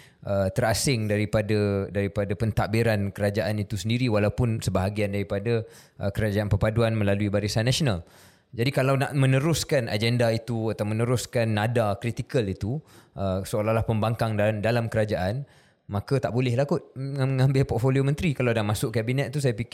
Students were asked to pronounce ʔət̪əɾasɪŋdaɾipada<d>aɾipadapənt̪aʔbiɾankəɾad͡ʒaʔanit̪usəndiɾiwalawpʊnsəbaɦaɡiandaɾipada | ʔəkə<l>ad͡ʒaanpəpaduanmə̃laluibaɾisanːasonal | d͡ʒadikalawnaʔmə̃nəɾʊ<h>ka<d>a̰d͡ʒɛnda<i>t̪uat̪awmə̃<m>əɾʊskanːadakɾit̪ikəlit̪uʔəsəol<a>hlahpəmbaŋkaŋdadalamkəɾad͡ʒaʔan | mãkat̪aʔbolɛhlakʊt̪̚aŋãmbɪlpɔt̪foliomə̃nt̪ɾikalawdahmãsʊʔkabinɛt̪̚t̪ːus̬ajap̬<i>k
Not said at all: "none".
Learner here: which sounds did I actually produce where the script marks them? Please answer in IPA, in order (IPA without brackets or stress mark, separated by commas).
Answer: d, ɾ, s, n, i, n, a, i